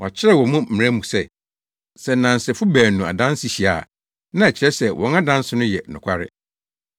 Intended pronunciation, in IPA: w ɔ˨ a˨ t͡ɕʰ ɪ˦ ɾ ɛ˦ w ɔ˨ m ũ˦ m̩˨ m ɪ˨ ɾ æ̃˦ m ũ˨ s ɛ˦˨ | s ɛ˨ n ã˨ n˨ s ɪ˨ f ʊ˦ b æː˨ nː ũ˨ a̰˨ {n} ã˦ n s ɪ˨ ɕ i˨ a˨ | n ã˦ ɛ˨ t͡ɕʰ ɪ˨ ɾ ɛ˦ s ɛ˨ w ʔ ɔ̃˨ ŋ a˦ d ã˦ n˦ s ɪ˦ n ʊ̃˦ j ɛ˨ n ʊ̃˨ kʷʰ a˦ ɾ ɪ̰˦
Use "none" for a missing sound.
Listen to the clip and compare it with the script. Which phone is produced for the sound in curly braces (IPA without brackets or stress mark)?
d